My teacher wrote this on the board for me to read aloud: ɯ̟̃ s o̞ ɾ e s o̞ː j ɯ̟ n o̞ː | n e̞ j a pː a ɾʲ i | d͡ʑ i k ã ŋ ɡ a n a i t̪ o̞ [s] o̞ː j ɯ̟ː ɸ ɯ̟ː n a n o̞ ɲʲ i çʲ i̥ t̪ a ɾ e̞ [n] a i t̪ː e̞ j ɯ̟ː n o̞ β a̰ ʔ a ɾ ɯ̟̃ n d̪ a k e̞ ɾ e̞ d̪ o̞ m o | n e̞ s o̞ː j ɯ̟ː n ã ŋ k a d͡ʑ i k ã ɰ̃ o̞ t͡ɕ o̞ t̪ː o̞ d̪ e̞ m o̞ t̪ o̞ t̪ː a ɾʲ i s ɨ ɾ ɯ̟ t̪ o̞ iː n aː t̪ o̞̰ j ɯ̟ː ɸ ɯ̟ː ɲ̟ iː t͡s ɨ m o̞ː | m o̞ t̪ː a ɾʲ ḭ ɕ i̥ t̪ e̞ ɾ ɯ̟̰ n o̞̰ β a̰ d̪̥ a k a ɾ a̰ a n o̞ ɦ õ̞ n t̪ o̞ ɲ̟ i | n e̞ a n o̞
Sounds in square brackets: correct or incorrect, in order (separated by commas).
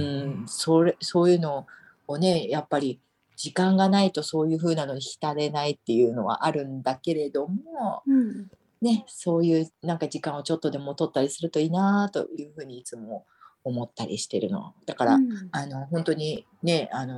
correct, correct